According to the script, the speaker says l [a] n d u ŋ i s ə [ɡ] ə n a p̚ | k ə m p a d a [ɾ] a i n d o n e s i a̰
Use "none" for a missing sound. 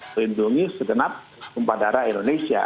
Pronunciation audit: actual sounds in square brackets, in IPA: i, ɡ, ɾ

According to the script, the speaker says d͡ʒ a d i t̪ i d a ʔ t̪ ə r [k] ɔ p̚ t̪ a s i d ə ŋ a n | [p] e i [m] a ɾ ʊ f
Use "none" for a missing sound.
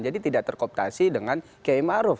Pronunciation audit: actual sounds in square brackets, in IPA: k, k, m

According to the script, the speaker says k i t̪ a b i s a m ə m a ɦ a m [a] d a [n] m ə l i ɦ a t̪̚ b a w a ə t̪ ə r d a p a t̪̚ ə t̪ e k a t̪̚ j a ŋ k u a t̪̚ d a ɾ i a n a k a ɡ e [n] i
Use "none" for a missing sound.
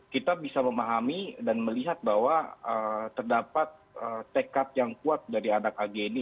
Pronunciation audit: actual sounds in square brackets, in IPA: i, n, n

